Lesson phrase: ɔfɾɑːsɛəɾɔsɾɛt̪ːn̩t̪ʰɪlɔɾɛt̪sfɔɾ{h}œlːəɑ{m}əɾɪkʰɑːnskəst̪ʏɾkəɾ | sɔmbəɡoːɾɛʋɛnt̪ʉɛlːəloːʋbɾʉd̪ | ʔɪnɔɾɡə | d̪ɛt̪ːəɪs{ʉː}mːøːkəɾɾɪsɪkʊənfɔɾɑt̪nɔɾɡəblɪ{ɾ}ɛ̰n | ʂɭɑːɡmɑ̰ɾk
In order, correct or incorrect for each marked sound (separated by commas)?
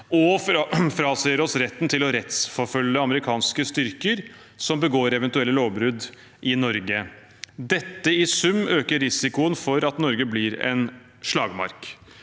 incorrect, correct, incorrect, correct